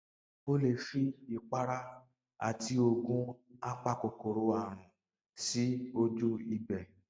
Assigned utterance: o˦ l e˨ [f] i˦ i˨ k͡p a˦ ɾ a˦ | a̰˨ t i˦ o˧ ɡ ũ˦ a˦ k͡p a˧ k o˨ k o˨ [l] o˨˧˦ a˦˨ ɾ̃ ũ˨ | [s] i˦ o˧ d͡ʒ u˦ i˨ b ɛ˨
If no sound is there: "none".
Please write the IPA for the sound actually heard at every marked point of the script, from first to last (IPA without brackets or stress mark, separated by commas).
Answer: ʃ, ɾ, s